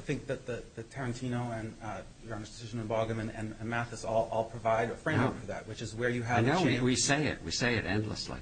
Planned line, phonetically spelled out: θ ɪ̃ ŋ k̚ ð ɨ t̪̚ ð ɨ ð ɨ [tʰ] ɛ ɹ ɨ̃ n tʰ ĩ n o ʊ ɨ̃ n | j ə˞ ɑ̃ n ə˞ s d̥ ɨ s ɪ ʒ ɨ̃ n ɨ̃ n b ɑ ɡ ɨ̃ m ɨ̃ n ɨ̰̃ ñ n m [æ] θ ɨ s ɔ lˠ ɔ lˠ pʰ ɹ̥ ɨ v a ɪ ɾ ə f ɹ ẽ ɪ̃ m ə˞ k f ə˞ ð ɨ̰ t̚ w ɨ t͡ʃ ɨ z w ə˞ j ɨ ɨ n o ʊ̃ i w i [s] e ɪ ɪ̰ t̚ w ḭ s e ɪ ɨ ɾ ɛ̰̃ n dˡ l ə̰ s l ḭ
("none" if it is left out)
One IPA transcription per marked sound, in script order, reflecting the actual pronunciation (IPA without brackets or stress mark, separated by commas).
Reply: tʰ, æ, s